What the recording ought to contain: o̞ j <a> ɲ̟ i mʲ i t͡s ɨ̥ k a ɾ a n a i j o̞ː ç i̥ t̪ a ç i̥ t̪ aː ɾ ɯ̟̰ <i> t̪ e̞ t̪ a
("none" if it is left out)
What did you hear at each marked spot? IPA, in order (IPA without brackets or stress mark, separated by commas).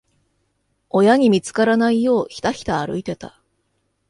a, i